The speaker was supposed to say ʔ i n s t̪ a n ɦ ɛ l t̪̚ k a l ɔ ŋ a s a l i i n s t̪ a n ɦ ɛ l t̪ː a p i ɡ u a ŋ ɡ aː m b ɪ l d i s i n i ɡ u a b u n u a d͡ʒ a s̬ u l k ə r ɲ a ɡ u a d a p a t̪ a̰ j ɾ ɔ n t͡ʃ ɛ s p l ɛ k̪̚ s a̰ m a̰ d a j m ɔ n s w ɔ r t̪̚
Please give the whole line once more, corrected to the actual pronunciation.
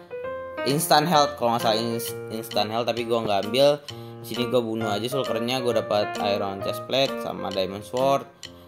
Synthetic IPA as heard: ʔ i n s t̪ a n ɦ ɛ l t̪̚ k a l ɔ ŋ a s a l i i n s t̪ a n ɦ ɛ l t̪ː a p i ɡ u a ŋ ɡ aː m b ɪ l d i s i n i ɡ u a b u n u a d͡ʒ a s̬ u l k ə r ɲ a ɡ u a d a p a t̪ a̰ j ɾ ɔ n t͡ʃ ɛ s p l ɛ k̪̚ s a̰ m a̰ d a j m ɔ n s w ɔ r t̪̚